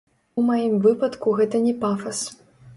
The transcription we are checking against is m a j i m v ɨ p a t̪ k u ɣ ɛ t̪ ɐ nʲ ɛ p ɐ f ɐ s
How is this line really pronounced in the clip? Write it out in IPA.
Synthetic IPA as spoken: m a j i m v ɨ p ɐ t̪ k u ɣ ɛ t̪ ɐ nʲ ɛ p a f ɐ s